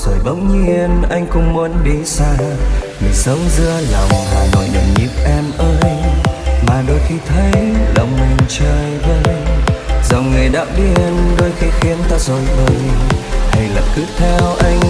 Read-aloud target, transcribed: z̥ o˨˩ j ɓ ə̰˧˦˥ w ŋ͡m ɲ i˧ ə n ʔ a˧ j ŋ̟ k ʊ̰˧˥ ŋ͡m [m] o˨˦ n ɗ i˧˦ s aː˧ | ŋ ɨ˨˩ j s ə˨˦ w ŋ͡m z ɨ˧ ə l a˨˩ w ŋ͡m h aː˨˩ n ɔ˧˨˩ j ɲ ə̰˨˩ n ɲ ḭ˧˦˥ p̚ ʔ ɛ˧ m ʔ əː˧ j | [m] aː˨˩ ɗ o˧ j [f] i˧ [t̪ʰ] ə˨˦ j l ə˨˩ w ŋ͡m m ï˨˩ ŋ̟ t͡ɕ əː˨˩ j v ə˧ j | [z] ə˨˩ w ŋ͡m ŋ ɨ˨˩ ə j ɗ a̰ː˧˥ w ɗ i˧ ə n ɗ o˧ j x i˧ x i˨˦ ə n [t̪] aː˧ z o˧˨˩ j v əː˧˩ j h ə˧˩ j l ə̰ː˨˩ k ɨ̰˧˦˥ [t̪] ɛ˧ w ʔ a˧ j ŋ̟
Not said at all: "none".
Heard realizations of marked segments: m, m, x, t̪ʰ, z, t̪, t̪ʰ

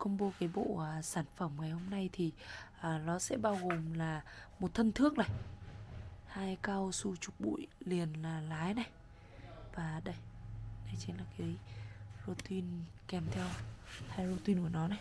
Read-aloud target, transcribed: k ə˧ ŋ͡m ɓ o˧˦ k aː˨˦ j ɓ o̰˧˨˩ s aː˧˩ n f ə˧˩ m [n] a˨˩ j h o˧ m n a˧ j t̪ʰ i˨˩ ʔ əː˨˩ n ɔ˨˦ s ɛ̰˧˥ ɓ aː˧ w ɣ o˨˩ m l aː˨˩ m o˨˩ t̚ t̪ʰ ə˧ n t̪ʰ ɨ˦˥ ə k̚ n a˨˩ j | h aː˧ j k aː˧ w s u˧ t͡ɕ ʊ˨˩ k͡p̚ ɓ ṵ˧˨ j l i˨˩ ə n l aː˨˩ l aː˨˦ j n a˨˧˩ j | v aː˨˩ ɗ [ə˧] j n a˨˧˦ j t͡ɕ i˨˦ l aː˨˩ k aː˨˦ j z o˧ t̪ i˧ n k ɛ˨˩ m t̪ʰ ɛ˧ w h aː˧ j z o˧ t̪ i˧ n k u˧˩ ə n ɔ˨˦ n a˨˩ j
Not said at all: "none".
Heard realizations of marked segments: ŋ, ə˧

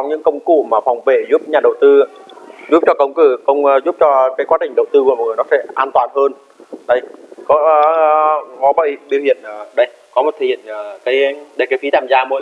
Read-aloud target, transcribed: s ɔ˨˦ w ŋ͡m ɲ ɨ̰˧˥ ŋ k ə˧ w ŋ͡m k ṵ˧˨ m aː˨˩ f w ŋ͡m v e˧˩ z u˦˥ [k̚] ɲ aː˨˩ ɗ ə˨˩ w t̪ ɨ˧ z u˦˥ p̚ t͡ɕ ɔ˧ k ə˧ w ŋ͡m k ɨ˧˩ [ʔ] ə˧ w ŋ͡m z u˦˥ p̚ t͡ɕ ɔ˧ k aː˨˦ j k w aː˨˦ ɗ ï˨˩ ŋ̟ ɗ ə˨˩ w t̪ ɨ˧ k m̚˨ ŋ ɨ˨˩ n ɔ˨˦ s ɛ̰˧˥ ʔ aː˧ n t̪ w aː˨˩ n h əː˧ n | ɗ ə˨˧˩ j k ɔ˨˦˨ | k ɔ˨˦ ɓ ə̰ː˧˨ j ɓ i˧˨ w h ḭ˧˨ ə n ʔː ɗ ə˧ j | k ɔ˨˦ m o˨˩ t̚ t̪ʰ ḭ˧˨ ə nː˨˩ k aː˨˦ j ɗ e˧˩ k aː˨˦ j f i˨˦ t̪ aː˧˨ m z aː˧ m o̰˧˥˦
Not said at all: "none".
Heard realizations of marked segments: p̚, k

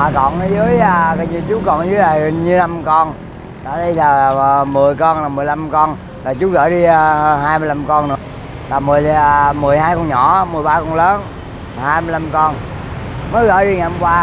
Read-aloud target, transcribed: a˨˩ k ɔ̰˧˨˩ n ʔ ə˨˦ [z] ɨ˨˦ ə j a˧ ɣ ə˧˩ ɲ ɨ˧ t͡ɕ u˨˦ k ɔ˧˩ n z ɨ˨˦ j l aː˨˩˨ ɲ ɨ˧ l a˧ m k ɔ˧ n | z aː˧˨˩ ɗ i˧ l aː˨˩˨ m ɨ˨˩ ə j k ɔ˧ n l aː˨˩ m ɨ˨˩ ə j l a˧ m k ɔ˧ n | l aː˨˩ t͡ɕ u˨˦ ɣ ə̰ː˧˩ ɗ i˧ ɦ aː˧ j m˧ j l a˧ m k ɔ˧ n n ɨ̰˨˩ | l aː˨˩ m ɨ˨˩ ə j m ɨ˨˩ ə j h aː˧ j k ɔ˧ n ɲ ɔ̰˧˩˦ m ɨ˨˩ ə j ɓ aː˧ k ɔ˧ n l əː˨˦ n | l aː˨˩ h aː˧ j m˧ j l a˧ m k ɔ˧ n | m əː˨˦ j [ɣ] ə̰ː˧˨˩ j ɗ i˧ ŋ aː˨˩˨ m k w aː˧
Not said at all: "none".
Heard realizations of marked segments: z, ɣ

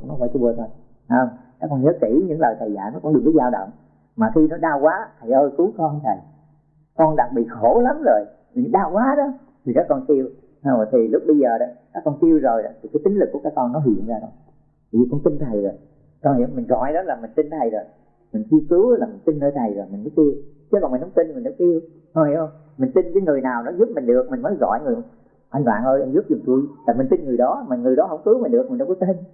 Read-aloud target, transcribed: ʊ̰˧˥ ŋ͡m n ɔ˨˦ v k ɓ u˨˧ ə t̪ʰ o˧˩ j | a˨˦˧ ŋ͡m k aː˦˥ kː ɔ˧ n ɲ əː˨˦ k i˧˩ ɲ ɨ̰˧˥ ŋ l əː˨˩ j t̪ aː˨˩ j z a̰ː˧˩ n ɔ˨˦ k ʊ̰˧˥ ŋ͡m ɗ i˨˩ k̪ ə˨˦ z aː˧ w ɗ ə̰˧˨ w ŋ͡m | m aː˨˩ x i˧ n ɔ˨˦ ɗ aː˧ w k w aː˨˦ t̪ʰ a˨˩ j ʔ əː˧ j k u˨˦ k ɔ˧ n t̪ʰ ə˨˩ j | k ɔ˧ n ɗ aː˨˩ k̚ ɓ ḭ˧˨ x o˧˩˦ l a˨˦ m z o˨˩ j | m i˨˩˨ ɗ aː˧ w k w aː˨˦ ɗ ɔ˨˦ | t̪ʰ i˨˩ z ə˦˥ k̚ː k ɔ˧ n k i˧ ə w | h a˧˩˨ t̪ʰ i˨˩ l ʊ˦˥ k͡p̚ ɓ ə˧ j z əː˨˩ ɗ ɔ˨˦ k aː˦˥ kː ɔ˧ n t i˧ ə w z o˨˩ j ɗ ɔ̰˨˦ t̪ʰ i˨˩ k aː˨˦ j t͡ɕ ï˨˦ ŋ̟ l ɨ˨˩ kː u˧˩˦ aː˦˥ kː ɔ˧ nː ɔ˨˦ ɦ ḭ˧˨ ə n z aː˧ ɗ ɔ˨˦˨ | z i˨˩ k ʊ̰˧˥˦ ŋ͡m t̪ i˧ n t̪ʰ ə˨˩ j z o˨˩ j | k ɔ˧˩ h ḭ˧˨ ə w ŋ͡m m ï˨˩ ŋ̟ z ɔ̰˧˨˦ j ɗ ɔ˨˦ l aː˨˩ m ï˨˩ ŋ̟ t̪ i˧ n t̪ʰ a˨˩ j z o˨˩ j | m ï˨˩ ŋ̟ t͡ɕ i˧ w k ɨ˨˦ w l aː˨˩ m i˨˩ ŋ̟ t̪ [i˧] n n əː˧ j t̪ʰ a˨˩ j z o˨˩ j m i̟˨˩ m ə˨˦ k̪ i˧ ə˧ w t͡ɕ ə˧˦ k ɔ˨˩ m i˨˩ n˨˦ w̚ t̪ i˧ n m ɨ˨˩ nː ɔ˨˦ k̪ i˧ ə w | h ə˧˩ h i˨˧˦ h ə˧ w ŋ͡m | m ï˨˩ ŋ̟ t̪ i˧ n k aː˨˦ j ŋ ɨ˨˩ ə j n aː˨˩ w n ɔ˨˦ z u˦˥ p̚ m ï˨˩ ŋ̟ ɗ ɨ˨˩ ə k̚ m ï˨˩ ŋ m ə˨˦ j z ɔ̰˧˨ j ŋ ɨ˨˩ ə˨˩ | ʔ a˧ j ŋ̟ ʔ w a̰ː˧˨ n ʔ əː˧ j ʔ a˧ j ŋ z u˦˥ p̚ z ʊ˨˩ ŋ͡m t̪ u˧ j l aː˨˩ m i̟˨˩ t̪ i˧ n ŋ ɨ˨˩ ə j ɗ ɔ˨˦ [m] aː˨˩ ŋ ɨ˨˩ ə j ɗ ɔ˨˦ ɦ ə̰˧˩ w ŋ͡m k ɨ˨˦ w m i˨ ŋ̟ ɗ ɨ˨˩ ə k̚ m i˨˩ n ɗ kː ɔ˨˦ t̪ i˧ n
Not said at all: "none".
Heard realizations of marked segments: i˧, m

